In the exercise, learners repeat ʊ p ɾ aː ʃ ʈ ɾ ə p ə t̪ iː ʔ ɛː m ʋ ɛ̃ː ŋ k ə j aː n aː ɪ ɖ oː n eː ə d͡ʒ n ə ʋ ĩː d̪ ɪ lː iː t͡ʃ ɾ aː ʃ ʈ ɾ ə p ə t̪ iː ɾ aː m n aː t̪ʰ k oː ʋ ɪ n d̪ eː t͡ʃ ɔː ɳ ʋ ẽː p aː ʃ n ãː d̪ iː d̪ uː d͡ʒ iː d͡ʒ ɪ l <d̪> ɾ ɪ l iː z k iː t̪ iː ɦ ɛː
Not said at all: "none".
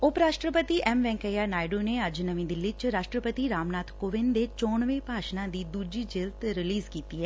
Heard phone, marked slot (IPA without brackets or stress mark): t̪